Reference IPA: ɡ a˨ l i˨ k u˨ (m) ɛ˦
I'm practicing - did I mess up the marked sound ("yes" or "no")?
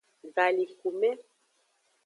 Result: no